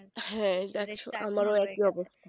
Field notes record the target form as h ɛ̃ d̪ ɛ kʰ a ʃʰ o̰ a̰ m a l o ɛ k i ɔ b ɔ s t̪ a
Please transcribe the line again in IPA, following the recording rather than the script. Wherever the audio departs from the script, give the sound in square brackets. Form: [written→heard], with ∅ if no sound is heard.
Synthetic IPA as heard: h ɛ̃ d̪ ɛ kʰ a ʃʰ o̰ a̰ m a [l→ɾ] o ɛ k i ɔ b [ɔ→o] s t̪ a